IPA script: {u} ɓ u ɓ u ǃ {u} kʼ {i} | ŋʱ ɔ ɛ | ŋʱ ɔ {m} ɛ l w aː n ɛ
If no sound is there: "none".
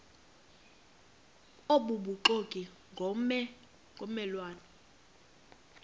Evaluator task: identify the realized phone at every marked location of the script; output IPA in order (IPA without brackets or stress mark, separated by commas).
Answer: o, o, i, m